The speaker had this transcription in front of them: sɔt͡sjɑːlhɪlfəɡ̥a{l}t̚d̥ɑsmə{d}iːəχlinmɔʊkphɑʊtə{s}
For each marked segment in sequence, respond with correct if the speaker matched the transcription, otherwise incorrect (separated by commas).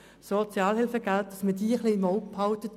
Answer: correct, correct, incorrect